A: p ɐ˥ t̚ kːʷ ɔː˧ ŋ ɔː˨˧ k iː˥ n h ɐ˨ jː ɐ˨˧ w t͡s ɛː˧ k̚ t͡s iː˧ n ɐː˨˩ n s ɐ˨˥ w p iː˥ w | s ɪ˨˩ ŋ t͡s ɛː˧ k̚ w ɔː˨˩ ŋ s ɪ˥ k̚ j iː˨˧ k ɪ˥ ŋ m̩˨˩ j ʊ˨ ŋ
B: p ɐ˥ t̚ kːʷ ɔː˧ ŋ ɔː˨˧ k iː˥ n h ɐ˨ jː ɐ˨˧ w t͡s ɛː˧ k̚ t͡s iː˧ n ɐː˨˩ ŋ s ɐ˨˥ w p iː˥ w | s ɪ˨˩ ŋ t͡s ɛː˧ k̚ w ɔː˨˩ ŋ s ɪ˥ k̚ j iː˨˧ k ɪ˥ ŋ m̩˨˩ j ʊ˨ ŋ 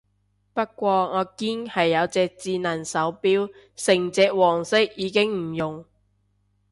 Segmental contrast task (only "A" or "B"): A